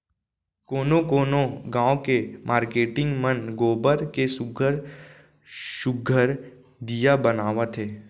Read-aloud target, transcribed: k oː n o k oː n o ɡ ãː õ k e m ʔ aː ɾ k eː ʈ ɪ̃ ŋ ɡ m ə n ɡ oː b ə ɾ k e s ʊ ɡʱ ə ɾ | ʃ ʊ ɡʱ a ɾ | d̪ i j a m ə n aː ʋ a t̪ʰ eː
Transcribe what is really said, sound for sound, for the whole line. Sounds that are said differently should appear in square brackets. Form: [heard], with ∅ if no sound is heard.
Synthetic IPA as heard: k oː n o k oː n o ɡ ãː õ k e m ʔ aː ɾ k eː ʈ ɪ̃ ŋ ɡ m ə n ɡ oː b ə ɾ k e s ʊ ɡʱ ə ɾ | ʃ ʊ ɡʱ [ə] ɾ | d̪ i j a [b] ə n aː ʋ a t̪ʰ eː